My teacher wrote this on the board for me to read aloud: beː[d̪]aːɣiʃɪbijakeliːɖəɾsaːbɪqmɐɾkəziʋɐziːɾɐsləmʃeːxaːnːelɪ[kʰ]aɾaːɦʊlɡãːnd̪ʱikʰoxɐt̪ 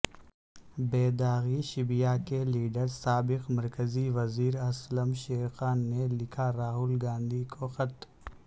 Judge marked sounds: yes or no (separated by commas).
yes, yes